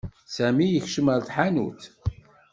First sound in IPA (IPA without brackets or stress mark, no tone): s